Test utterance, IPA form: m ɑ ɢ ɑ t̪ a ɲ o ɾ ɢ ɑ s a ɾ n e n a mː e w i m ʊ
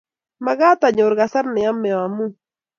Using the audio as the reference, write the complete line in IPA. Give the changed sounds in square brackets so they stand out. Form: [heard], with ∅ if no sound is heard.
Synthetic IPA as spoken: m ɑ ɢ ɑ t̪ a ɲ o ɾ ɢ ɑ s a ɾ n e [∅] a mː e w [a] m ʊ